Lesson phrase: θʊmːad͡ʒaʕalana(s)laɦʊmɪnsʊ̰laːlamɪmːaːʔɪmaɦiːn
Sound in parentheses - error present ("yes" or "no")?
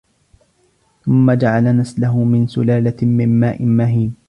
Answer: no